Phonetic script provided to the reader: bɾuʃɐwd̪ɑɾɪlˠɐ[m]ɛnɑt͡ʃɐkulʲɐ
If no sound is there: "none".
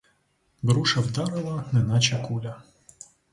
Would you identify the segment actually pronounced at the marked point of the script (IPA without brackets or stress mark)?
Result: n